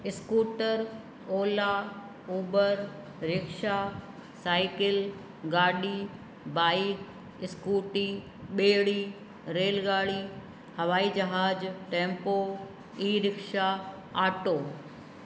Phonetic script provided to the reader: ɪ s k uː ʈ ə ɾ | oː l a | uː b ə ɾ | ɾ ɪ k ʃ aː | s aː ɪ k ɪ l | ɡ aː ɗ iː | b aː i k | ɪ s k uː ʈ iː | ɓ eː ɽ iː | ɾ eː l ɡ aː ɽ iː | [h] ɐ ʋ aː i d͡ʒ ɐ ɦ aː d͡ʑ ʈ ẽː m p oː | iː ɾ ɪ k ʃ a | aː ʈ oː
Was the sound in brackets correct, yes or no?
yes